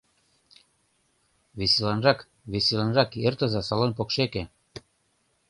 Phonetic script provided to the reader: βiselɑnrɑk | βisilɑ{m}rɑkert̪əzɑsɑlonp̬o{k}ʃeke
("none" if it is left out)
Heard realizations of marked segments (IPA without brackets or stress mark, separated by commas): n, k